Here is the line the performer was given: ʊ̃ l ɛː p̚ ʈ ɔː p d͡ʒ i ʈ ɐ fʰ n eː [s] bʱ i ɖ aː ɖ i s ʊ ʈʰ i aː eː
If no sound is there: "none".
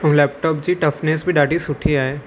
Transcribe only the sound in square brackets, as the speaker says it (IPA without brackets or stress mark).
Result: s